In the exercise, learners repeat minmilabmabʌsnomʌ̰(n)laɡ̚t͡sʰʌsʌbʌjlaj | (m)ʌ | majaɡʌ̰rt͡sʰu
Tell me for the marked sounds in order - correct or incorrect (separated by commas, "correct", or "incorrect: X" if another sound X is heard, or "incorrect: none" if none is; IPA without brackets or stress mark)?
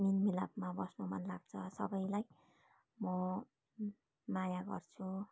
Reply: correct, correct